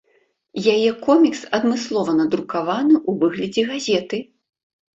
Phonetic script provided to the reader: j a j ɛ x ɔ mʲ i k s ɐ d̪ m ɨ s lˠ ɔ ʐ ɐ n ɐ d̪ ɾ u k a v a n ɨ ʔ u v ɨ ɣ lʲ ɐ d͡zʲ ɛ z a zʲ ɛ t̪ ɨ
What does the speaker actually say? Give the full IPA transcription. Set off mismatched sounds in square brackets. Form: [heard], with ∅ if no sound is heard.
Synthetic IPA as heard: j a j ɛ [k] ɔ mʲ i k s ɐ d̪ m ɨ s lˠ ɔ [v] ɐ n ɐ d̪ ɾ u k a v a n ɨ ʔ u v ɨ ɣ lʲ ɐ d͡zʲ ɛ [ɣ] a zʲ ɛ t̪ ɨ